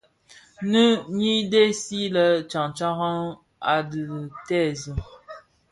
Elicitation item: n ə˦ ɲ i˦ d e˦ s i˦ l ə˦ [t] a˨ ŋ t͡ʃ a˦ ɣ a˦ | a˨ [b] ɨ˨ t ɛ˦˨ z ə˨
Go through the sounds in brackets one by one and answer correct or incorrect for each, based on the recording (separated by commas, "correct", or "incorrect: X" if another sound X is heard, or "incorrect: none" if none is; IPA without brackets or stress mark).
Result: incorrect: t͡ʃ, incorrect: d